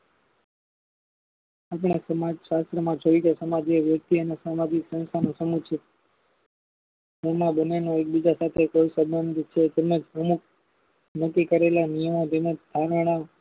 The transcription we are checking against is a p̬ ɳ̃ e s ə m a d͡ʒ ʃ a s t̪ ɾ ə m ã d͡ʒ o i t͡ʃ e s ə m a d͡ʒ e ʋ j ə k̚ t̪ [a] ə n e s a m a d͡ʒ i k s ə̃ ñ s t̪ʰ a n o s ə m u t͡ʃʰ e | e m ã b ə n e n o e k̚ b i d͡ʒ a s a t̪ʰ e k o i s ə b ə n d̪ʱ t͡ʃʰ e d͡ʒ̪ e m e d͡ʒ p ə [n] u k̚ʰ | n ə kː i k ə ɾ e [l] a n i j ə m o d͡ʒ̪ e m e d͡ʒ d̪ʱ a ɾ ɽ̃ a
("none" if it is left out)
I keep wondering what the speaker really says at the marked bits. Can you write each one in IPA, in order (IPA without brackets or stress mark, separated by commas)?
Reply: i, m, l